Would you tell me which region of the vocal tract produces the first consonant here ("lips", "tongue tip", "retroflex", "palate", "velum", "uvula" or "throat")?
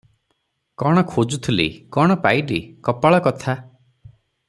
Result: velum